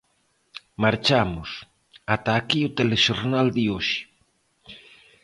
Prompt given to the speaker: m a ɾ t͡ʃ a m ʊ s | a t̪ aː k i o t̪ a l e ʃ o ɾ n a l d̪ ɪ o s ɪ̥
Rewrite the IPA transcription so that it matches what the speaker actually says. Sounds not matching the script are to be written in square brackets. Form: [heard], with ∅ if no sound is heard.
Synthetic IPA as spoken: m a ɾ t͡ʃ a m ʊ s | a t̪ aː k i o t̪ [e] l e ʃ o ɾ n a l d̪ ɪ o [ʃ] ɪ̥